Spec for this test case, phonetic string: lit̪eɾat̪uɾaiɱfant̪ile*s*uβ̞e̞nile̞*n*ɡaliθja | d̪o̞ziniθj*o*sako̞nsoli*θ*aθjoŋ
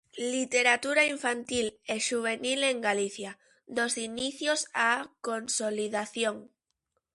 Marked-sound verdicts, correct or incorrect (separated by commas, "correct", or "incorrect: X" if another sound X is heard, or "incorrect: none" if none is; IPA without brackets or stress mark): incorrect: ʃ, incorrect: ŋ, correct, incorrect: ð